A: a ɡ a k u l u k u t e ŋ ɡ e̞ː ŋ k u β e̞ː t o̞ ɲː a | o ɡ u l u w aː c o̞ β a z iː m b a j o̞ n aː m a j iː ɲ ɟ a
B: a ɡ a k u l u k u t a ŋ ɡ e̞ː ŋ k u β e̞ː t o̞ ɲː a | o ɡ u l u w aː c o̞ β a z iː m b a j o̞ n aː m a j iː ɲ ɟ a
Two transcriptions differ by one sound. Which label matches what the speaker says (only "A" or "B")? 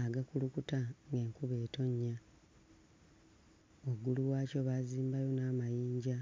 B